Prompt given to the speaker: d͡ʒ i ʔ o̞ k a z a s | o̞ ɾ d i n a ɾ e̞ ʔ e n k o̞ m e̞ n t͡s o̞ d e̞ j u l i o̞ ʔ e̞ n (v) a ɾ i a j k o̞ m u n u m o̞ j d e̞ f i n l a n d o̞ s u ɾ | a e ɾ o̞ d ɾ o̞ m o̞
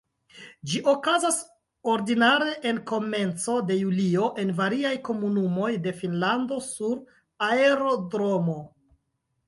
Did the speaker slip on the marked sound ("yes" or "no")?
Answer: no